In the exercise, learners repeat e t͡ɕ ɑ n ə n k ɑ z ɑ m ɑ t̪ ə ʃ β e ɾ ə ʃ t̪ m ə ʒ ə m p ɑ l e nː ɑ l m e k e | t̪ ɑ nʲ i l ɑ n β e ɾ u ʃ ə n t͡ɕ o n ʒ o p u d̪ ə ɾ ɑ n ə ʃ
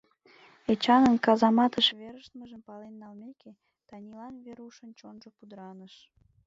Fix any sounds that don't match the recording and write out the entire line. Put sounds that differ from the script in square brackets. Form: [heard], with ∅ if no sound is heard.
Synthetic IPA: e t͡ɕ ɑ n ə n k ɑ z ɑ m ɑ t̪ ə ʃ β e ɾ ə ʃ t̪ m ə ʒ ə m p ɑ l e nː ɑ l m e k e | t̪ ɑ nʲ i l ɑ n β e ɾ u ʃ ə n t͡ɕ o n ʒ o p u d̪ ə ɾ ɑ n ə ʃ